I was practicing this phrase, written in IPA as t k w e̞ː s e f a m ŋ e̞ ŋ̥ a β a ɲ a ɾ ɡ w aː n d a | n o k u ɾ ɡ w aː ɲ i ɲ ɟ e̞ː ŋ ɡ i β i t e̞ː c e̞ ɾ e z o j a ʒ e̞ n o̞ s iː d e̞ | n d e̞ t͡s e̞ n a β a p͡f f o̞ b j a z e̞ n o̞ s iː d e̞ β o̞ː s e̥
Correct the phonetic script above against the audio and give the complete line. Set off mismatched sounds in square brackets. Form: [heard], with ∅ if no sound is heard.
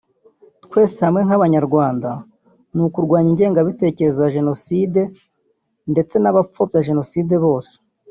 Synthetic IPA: t k w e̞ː s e [h] a m ŋ e̞ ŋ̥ a β a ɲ a ɾ ɡ w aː n d a | n [u] k u ɾ ɡ w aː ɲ i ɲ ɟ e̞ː ŋ ɡ [a] β i t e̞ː c e̞ ɾ e z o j a ʒ e̞ n o̞ s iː d e̞ | n d e̞ t͡s e̞ n a β a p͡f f o̞ b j a [ʒ] e̞ n o̞ s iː d e̞ β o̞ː s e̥